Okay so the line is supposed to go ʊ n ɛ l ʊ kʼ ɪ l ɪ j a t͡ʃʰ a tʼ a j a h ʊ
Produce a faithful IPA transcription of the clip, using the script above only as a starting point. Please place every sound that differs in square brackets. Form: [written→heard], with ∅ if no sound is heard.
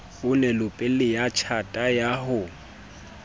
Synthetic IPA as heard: ʊ n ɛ l ʊ [kʼ→pʼ] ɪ l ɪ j a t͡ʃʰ a tʼ a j a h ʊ